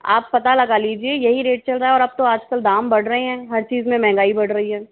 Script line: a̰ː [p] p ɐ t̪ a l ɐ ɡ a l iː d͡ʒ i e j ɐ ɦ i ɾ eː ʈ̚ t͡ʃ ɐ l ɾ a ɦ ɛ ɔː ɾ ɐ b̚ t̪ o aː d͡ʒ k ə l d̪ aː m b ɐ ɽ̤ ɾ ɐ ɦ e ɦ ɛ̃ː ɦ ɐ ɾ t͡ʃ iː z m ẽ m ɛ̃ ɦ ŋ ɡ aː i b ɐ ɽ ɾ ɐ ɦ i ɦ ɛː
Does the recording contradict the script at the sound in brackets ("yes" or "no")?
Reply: no